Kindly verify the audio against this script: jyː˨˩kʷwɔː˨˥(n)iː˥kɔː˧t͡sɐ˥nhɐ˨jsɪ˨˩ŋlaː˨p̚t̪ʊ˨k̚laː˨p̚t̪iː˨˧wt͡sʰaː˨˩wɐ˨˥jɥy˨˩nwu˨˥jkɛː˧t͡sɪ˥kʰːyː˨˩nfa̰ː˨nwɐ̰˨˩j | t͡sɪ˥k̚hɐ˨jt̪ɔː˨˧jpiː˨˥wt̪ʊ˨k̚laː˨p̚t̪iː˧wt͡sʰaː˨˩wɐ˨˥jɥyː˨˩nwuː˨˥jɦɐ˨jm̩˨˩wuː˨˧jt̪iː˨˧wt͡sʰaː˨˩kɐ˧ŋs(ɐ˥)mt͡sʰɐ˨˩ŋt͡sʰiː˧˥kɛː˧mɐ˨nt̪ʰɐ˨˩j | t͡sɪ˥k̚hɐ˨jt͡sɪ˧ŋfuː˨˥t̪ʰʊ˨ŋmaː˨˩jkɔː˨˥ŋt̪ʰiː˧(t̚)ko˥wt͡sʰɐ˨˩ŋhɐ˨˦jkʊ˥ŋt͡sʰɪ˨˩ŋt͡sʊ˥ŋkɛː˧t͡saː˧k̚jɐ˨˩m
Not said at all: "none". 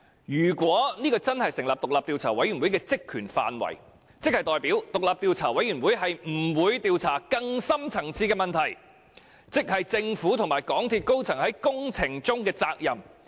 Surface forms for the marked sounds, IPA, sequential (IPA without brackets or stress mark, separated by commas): n, ɐ˥, t̚